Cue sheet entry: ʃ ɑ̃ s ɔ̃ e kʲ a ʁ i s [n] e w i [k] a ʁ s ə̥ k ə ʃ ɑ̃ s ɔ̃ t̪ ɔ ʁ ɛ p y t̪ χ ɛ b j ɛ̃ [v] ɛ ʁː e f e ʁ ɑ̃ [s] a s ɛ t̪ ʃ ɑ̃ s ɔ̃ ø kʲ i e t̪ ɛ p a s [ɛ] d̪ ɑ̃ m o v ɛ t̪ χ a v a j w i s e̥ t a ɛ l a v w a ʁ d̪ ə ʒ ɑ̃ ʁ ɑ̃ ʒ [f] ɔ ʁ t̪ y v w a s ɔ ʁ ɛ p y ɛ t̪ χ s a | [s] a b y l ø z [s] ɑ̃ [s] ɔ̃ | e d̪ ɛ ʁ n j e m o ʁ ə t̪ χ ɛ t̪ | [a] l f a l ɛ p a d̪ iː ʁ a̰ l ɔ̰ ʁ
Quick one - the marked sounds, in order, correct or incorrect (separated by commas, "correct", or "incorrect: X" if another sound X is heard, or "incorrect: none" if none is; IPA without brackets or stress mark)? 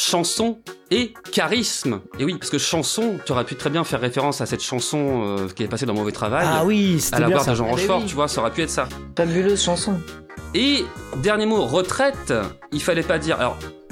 incorrect: m, incorrect: p, incorrect: f, correct, incorrect: e, correct, incorrect: f, incorrect: ʃ, correct, incorrect: i